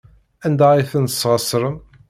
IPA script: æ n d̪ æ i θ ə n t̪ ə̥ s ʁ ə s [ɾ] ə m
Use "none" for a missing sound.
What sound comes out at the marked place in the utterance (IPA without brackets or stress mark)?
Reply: ɾ